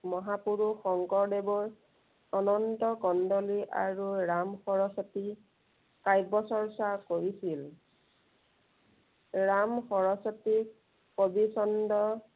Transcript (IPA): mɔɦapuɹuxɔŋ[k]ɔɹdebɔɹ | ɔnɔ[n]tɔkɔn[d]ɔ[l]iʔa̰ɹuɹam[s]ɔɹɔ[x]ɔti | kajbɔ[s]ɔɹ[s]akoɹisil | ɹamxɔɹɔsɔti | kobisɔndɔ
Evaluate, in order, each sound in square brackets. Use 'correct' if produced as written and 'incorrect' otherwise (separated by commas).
correct, correct, correct, correct, incorrect, incorrect, correct, correct